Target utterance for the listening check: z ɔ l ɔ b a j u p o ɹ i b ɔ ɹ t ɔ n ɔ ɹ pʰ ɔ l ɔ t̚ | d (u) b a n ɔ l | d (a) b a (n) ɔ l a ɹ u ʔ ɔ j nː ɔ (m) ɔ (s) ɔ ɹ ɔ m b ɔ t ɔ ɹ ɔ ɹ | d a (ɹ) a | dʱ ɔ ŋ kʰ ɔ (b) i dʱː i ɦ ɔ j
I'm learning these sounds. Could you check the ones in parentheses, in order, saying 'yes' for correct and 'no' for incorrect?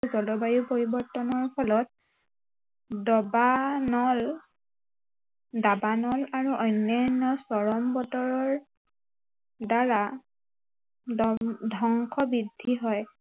no, yes, yes, no, yes, yes, yes

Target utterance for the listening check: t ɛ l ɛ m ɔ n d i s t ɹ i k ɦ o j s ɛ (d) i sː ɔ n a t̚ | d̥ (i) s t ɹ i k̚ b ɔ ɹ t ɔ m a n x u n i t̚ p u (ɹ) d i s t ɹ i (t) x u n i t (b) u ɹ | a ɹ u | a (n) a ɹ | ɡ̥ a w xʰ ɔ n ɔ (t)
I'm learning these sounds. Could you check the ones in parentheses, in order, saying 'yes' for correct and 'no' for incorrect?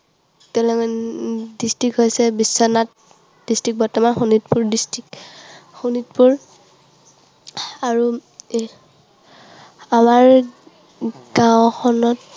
no, yes, yes, no, no, no, yes

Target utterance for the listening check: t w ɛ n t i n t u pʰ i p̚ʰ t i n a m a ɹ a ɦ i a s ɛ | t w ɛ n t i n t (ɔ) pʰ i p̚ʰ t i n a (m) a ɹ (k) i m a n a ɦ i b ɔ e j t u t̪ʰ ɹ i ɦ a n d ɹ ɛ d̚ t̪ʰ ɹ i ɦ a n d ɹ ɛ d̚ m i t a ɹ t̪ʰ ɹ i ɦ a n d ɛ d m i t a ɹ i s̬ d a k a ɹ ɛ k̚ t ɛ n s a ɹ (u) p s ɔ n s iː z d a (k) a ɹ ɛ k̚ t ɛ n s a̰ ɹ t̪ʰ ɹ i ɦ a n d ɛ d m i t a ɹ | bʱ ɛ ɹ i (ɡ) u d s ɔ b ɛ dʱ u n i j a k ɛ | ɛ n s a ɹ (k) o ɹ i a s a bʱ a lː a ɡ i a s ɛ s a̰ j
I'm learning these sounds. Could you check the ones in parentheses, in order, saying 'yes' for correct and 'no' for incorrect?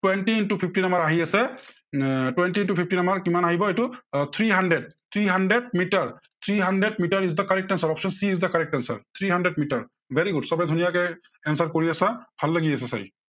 no, yes, yes, no, yes, yes, yes

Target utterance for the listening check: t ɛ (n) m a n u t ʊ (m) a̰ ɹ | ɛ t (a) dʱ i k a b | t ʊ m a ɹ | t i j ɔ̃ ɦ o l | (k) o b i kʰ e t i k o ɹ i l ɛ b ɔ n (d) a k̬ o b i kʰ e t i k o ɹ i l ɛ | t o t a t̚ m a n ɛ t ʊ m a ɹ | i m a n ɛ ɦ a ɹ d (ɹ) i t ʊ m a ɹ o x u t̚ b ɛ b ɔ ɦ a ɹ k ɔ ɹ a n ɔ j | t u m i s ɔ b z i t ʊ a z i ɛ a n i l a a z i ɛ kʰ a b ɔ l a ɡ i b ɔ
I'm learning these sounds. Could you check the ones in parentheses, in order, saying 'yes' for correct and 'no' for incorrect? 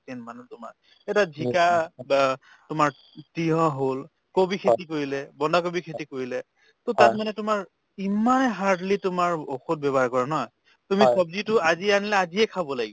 yes, yes, yes, yes, yes, no

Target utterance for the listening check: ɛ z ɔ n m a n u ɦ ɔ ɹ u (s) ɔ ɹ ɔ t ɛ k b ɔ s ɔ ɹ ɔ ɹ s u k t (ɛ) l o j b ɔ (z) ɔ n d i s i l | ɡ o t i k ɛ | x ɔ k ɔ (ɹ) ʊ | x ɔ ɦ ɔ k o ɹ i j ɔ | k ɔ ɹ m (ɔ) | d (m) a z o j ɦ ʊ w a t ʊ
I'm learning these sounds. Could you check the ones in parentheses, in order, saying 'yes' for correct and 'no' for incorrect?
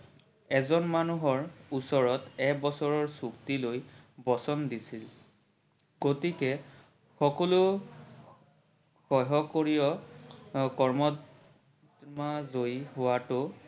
yes, no, no, no, yes, yes

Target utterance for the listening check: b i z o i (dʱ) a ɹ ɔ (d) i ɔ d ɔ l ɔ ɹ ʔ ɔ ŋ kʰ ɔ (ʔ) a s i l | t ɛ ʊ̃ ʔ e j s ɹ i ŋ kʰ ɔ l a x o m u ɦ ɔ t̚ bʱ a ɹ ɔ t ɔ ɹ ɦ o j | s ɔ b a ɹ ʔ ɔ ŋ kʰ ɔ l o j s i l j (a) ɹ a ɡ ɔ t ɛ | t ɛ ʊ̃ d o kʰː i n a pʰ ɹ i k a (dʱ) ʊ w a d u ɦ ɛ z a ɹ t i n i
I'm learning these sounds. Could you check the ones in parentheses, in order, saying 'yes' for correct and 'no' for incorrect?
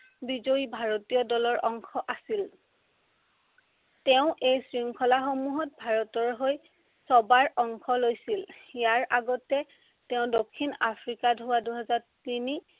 no, no, yes, yes, yes

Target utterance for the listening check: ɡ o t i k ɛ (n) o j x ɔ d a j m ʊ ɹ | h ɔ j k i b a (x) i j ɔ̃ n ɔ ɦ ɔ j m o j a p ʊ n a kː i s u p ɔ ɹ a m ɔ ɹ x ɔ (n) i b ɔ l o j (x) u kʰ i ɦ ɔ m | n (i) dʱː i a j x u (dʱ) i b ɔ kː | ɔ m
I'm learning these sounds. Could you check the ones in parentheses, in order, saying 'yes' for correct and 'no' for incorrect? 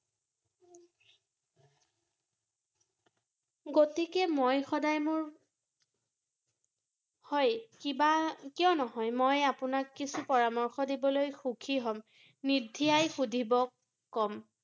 no, no, no, yes, yes, yes

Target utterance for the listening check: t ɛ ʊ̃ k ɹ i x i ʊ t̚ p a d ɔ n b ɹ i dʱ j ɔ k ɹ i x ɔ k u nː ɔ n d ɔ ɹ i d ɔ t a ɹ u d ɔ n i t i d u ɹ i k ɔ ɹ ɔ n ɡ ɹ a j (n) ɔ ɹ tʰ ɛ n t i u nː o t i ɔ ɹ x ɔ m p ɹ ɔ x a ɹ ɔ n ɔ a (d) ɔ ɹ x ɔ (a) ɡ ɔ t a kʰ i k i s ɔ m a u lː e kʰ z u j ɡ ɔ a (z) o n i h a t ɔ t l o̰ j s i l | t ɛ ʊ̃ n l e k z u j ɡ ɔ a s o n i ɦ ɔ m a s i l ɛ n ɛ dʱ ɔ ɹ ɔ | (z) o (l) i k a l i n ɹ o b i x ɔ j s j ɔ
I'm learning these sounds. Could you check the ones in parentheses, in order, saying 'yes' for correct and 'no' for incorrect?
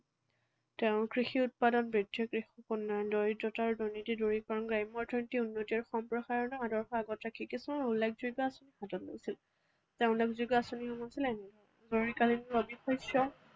no, yes, yes, no, yes, no

